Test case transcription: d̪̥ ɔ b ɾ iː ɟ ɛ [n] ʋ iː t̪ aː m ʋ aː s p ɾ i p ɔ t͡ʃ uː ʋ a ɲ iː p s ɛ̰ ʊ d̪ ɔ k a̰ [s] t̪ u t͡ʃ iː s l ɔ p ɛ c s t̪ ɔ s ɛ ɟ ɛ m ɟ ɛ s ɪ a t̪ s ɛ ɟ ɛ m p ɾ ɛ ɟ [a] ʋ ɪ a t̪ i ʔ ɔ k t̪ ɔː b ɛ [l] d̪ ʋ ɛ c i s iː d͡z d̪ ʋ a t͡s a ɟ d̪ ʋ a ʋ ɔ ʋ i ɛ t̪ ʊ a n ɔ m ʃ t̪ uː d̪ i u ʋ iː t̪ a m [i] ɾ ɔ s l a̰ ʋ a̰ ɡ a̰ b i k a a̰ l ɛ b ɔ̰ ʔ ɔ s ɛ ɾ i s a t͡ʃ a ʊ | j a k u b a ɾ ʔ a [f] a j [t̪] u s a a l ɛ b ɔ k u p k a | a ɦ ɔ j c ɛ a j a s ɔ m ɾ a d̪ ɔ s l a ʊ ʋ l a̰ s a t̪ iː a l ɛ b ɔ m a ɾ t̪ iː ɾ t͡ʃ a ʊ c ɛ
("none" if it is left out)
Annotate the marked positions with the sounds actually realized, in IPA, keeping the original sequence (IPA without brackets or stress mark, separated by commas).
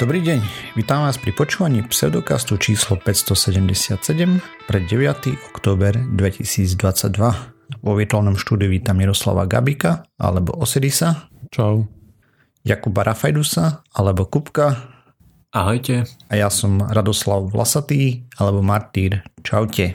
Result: ɲ, s, ɛ, ɾ, i, f, d̪